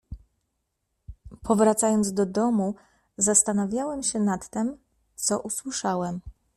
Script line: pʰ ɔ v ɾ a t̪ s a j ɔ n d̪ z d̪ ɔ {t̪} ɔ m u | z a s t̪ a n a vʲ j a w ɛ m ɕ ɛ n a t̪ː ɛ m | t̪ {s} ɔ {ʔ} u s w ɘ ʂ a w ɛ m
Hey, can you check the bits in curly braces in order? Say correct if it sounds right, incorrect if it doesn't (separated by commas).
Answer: incorrect, correct, correct